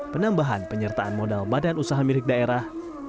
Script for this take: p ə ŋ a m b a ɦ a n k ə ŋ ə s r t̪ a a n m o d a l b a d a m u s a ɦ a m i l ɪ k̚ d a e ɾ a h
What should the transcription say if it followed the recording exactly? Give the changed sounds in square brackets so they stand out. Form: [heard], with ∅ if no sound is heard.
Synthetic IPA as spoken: p ə [n] a m b a ɦ a n [p] ə [ɲ] ə [∅] r t̪ a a n m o d a l b a d a [n] u s a ɦ a m i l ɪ k̚ d a e ɾ a h